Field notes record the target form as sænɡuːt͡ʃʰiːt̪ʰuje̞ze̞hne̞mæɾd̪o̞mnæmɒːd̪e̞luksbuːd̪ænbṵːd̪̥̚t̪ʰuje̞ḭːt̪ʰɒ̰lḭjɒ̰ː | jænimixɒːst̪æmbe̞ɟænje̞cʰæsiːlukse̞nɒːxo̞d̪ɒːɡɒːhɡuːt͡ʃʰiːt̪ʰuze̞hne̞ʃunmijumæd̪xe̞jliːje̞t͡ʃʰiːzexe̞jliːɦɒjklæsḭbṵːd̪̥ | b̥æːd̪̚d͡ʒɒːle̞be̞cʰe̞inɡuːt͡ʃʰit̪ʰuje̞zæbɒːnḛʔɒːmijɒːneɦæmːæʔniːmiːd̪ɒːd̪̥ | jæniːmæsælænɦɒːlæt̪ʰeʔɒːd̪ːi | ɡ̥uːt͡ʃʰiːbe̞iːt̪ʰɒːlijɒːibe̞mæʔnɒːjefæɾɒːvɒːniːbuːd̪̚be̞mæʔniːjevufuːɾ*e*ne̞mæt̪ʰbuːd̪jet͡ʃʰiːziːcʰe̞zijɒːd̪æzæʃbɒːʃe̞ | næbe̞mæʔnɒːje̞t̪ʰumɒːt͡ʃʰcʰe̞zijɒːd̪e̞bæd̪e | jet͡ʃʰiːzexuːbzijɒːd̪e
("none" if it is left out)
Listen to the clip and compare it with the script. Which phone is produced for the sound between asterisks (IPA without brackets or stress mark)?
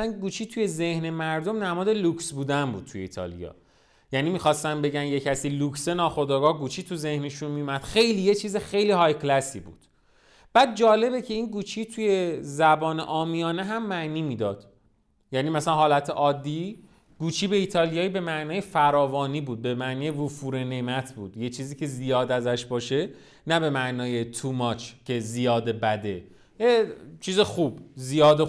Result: e